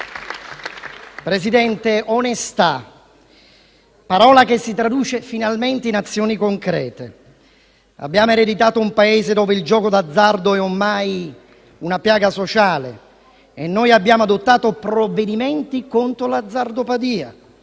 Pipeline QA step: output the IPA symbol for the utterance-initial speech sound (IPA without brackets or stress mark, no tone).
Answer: p